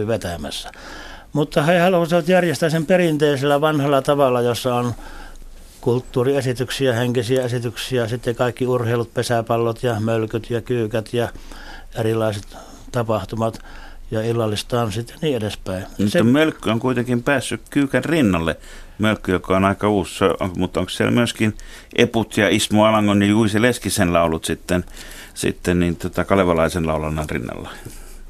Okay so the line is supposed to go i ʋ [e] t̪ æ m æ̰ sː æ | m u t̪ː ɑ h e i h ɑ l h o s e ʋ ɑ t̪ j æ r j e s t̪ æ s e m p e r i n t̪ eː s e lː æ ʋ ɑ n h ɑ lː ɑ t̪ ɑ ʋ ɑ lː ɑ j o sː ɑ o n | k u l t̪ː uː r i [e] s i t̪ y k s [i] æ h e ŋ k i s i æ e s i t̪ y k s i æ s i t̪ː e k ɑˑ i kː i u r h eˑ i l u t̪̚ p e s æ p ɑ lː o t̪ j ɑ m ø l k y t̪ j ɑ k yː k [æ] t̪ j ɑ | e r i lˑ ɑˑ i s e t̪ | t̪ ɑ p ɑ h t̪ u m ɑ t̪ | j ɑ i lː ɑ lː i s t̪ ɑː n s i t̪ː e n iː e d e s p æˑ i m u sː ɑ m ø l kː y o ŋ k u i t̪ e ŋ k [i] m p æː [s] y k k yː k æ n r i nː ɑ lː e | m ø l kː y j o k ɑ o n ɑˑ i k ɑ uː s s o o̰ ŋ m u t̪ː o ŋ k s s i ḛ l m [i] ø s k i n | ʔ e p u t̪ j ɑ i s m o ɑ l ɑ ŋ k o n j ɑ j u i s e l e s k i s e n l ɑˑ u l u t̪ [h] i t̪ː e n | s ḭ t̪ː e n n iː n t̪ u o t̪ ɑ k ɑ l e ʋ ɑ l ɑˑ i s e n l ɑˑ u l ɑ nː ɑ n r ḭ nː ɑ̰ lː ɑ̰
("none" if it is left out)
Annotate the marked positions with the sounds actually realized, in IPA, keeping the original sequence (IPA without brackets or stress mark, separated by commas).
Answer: e, e, i, æ, i, sː, y, s